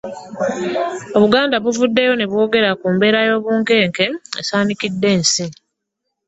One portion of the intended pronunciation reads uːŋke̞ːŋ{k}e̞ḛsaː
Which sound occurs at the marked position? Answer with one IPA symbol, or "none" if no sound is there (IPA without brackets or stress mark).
k